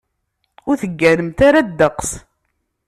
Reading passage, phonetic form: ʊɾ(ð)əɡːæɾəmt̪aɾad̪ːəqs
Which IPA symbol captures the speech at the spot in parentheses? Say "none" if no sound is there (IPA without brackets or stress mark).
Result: θ